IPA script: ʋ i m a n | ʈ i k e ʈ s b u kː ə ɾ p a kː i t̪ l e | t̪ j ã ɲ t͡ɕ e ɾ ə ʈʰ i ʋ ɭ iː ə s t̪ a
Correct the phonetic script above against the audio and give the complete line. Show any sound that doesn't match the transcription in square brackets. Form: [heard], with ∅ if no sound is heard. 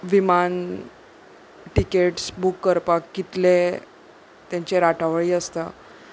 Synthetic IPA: ʋ i m a n | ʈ i k e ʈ s b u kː ə ɾ p a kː i t̪ l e | t̪ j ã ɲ t͡ɕ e ɾ [a] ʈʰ [a] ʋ ɭ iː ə s t̪ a